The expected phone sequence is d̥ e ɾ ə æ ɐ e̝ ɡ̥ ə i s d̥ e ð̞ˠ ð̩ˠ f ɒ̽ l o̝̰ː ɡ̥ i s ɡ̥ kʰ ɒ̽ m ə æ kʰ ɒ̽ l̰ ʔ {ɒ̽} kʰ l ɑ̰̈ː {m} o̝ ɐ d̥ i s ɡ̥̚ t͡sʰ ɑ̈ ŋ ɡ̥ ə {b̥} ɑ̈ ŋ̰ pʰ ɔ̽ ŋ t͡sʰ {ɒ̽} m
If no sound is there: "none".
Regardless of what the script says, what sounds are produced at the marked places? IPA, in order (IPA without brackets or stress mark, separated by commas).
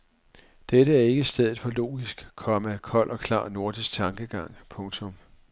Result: ɒ̽, n, ɡ̥, ɔ̽